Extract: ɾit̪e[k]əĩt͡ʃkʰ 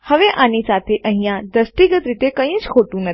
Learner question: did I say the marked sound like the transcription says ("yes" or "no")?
yes